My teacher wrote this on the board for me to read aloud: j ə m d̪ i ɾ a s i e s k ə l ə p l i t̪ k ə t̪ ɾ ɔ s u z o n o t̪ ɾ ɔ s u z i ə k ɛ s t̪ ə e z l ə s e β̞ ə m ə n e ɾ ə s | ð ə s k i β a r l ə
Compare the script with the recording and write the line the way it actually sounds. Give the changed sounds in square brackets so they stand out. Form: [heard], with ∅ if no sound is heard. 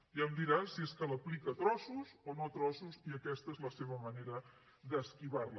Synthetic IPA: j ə m d̪ i ɾ a s i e s k ə l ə p l i [∅] k ə t̪ ɾ ɔ s u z o n o t̪ ɾ ɔ s u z i ə k ɛ s t̪ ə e z l ə s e β̞ ə m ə n e ɾ ə [∅] | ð ə s k i β a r l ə